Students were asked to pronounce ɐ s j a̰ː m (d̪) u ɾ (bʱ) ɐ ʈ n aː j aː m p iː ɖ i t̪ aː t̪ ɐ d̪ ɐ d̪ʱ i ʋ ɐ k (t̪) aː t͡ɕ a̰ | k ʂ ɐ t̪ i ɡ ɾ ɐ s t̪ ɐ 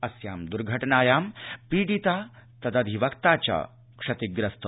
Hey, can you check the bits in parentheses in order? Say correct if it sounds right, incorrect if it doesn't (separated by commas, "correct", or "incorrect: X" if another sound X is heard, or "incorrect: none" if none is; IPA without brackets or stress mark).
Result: correct, incorrect: ɡʱ, correct